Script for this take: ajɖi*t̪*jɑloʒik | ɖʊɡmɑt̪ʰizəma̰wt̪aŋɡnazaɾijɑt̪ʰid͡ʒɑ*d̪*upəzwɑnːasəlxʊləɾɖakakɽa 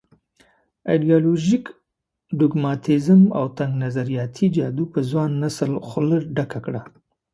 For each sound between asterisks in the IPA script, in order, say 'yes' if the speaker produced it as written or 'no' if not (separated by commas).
no, yes